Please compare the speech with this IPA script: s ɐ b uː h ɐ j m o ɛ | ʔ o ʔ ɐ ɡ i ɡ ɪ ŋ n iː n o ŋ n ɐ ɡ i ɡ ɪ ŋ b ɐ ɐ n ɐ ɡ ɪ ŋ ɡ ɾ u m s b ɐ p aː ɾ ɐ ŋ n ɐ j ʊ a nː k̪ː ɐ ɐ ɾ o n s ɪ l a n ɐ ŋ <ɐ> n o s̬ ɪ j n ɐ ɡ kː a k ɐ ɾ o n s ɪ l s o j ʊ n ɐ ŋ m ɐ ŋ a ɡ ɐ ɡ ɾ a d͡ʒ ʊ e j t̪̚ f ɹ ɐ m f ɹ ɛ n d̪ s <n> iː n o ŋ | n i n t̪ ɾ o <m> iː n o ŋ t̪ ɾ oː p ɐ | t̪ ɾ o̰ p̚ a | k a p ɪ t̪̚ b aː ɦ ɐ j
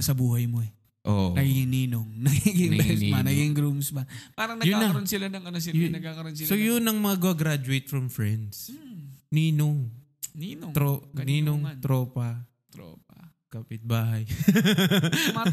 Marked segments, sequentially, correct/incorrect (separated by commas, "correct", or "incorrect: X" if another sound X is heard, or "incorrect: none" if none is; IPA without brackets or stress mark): correct, correct, incorrect: n